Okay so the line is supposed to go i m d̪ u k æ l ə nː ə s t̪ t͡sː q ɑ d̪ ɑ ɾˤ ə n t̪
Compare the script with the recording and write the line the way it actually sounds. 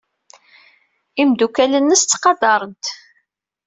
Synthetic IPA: i m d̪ u k æ l ə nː ə s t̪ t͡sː q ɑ d̪ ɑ ɾˤ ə n t̪